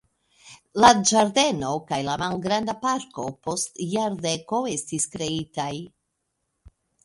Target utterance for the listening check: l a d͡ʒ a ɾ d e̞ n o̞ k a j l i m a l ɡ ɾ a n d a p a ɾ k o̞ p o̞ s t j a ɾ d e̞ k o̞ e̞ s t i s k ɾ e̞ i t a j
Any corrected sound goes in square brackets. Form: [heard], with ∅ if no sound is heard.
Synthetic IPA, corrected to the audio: l a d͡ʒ a ɾ d e̞ n o̞ k a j l [a] m a l ɡ ɾ a n d a p a ɾ k o̞ p o̞ s t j a ɾ d e̞ k o̞ e̞ s t i s k ɾ e̞ i t a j